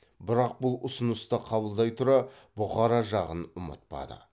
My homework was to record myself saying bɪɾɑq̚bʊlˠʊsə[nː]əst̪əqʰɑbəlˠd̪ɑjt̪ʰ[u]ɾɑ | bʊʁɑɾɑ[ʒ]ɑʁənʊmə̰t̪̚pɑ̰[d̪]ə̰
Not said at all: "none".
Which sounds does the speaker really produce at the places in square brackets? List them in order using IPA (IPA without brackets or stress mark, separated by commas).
n, ʊ, ʒ, d̪